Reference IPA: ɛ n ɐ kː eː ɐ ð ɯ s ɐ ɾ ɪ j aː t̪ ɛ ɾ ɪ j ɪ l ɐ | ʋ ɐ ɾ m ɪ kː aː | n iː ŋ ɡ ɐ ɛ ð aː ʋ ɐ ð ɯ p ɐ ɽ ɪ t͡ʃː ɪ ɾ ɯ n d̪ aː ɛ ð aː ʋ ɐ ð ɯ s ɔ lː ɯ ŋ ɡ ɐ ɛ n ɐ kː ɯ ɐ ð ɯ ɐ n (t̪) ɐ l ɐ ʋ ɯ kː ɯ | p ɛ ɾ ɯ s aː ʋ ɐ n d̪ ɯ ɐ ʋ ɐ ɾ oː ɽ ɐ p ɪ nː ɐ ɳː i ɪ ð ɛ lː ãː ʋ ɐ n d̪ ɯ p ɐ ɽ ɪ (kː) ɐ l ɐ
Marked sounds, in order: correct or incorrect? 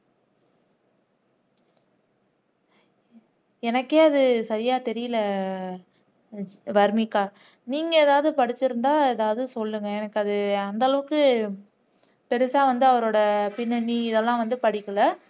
incorrect: d̪, correct

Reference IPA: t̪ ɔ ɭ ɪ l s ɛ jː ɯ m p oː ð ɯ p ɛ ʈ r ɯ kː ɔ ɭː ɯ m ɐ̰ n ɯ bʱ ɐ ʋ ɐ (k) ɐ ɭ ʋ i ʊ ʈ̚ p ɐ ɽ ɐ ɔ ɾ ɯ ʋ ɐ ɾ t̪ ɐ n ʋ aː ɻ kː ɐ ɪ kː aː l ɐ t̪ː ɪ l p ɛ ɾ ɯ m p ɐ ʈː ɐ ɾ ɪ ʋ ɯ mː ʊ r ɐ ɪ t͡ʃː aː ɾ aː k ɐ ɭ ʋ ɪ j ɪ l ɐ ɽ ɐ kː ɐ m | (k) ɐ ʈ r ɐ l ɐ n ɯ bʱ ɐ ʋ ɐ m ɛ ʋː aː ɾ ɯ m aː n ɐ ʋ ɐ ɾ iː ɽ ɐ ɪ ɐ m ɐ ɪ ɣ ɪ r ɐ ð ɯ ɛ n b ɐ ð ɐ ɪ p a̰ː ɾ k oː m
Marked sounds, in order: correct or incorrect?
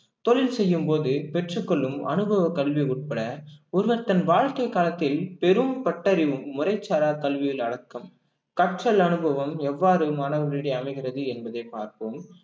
correct, correct

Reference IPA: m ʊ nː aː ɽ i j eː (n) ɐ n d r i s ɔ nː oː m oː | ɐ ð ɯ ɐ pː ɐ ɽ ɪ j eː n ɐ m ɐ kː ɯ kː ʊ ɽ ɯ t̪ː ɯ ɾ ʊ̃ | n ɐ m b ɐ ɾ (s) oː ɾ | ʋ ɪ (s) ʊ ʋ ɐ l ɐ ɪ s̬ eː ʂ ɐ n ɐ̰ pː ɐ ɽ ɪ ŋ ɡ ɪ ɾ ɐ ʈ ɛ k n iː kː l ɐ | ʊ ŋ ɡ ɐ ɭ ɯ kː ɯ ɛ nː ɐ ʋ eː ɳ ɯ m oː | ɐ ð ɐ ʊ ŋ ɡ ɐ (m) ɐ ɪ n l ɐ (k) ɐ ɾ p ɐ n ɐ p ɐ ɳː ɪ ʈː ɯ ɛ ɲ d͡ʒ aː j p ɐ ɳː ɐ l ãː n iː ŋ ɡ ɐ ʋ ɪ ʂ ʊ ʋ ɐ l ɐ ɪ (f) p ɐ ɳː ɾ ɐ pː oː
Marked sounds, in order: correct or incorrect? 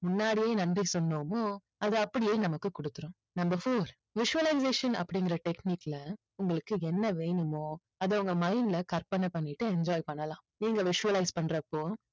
correct, incorrect: f, incorrect: ʂ, correct, correct, incorrect: s

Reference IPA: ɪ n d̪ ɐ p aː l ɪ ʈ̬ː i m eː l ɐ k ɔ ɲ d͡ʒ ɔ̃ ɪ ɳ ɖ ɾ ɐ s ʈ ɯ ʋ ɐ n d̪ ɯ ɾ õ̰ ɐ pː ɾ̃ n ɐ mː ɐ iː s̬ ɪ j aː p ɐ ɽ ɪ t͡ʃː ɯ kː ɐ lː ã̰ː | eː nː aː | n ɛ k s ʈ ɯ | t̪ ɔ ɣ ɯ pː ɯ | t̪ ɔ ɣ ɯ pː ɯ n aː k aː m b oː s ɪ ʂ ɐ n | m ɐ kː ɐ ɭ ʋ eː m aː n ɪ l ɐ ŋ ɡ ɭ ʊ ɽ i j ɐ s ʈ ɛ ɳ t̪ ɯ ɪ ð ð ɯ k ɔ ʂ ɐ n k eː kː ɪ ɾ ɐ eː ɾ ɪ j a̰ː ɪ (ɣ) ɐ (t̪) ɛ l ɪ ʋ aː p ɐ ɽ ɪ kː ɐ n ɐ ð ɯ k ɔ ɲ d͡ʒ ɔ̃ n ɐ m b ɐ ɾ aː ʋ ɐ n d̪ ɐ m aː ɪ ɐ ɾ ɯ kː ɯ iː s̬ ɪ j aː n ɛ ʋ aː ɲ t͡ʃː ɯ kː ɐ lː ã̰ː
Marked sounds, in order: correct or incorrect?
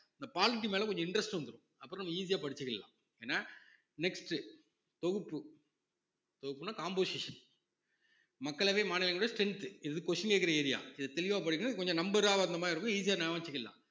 incorrect: ð, correct

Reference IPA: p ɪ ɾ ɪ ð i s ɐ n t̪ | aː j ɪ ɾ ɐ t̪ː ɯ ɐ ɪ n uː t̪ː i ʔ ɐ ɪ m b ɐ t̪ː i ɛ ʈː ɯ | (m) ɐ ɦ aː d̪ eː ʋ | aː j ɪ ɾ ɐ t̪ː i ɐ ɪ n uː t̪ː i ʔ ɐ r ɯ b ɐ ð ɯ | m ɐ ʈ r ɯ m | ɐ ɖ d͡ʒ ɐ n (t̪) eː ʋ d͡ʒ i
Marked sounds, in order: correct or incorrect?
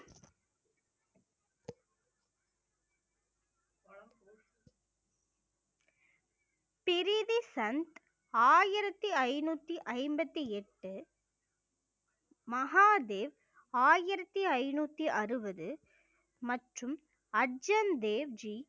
correct, incorrect: d̪

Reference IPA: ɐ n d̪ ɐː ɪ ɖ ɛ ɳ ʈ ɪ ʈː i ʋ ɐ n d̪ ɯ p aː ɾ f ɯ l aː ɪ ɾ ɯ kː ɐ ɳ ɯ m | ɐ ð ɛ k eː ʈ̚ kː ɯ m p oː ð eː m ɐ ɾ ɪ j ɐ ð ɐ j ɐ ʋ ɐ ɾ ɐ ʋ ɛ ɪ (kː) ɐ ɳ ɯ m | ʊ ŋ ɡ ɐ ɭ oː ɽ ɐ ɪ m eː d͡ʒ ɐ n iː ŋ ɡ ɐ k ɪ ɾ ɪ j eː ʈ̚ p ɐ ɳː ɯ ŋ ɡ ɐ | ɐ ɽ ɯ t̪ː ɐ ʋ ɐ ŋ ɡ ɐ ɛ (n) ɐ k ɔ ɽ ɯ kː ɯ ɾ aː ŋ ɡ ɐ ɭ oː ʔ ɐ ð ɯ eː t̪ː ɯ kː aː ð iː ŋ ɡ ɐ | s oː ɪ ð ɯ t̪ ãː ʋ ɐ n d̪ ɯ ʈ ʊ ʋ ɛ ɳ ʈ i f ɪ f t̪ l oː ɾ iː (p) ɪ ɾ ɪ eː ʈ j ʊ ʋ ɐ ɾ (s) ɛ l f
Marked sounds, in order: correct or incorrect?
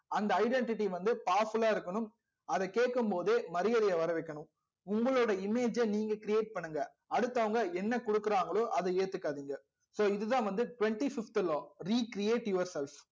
correct, incorrect: nː, incorrect: k, correct

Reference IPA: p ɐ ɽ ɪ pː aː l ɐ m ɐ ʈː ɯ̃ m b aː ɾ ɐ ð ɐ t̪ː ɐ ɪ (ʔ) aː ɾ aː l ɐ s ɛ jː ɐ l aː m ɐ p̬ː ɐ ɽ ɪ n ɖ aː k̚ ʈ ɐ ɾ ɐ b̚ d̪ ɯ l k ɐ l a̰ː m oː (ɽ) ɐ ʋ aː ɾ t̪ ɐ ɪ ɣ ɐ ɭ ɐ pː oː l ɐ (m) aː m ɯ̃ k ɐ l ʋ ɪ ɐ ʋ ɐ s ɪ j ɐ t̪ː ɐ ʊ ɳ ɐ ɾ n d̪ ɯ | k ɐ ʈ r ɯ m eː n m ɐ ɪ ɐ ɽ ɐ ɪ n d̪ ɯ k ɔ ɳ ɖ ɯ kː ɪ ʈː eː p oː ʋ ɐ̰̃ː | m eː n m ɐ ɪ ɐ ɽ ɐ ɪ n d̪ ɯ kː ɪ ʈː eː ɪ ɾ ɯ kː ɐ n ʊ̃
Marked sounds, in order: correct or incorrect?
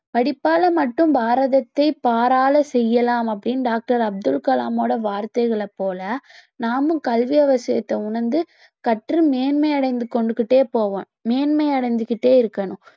incorrect: p, correct, incorrect: n

